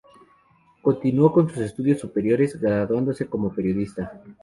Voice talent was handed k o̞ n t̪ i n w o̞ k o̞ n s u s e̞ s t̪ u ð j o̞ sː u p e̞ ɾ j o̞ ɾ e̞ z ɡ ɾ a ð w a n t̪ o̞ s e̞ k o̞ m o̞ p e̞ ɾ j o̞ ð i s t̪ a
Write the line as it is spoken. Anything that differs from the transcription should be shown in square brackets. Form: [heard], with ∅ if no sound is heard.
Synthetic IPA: k o̞ n t̪ i n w o̞ k o̞ n s u s e̞ s t̪ u ð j o̞ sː u p e̞ ɾ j o̞ ɾ e̞ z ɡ ɾ a ð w a n [d̪] o̞ s e̞ k o̞ m o̞ p e̞ ɾ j o̞ ð i s t̪ a